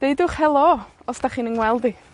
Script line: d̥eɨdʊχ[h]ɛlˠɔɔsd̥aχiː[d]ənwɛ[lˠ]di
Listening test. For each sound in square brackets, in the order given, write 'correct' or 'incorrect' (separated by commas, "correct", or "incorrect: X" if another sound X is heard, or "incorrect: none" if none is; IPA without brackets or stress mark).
correct, incorrect: n, correct